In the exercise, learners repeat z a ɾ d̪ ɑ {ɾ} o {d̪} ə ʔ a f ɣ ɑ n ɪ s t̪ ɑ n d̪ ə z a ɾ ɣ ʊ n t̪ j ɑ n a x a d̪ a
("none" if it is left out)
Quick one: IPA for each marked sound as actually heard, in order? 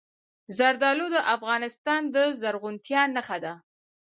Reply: l, d̪

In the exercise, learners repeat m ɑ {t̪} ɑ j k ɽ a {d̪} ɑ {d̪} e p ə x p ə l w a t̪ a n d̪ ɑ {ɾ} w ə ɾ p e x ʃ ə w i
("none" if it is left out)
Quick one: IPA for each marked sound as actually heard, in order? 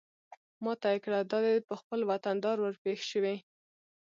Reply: t̪, d̪, d̪, ɾ

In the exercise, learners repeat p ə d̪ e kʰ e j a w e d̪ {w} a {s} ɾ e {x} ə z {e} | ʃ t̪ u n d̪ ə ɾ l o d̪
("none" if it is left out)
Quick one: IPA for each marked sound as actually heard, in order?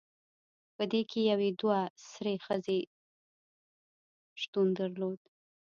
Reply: w, s, x, e

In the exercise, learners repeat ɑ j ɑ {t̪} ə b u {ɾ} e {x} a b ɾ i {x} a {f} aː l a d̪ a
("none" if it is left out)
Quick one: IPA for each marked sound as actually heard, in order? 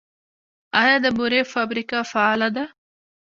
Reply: d̪, ɾ, f, k, f

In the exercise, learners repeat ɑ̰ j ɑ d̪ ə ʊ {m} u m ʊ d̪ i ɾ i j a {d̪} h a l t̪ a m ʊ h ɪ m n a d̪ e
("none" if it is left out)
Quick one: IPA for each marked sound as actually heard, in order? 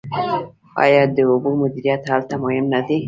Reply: b, t̪

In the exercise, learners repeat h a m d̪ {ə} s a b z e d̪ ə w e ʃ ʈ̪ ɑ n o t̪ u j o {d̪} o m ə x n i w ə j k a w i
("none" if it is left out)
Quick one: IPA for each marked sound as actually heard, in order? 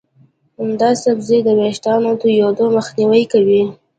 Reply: ɑ, d̪

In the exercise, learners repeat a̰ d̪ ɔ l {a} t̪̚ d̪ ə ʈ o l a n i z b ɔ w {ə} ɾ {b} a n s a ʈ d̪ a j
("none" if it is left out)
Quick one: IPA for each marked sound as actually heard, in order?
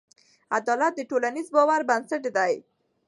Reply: a, a, b

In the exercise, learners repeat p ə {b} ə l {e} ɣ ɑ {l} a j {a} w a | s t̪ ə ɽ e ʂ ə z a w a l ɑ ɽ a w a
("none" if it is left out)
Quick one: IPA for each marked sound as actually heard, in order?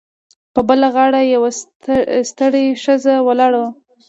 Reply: b, a, ɽ, a

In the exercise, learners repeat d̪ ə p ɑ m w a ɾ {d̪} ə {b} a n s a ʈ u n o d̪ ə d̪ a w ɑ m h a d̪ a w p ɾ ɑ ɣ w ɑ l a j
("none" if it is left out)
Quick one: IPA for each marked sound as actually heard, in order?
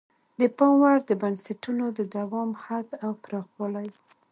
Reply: d̪, b

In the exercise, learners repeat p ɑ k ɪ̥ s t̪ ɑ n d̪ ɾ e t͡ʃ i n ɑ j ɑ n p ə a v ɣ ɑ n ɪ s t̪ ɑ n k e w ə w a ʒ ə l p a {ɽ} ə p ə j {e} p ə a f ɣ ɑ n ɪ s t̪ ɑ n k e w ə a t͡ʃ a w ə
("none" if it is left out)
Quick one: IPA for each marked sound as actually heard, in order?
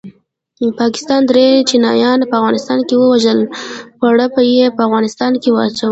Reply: ɽ, e

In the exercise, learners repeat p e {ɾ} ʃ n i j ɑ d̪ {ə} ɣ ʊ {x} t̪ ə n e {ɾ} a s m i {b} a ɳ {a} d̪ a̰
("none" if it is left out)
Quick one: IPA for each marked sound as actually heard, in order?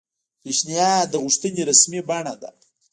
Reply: none, ə, ʂ, ɾ, b, a

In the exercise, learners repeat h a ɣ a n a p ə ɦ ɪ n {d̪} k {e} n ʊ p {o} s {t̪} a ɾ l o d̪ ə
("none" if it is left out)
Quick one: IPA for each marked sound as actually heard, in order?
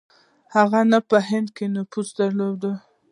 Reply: d̪, e, u, d̪

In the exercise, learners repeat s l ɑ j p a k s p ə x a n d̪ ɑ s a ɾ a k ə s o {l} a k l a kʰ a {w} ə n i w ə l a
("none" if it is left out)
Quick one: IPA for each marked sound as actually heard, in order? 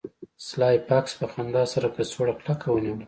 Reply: ɽ, w

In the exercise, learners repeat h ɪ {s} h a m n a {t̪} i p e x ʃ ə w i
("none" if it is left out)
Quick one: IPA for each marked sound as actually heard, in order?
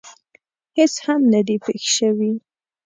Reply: s, d̪

